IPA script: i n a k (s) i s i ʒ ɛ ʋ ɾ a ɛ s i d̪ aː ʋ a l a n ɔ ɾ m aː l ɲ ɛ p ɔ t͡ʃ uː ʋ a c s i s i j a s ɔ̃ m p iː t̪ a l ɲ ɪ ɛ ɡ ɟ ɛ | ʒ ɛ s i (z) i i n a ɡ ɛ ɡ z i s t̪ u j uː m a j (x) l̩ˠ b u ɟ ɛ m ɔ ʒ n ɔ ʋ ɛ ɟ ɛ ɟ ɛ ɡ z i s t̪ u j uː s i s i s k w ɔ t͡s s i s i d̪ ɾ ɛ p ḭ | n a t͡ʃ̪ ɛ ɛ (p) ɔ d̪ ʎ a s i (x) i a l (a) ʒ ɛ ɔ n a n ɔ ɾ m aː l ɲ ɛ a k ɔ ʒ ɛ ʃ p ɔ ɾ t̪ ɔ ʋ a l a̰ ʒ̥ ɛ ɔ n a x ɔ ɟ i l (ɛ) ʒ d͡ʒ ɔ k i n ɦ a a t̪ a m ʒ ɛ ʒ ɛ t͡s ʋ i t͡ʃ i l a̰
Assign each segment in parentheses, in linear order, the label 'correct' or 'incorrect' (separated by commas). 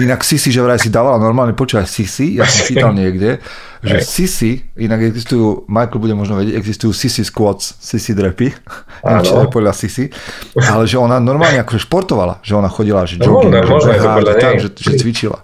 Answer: correct, incorrect, incorrect, correct, incorrect, incorrect, incorrect